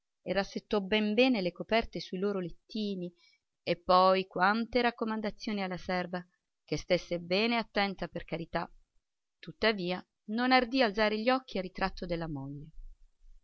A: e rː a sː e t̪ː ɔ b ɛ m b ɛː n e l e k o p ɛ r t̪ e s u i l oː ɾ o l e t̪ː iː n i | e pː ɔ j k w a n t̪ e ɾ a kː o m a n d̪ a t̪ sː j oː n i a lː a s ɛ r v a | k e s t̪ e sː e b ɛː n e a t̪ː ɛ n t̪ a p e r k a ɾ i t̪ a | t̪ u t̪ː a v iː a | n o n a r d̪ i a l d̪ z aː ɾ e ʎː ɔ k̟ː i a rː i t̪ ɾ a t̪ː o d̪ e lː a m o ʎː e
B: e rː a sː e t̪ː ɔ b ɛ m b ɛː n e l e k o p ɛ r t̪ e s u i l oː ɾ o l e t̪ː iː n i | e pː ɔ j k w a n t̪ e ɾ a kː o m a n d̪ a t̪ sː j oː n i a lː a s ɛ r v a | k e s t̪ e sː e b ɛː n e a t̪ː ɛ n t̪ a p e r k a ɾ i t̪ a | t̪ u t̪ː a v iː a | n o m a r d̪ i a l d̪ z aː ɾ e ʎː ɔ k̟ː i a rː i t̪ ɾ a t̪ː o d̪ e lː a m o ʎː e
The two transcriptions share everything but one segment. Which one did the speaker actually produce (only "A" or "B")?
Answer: A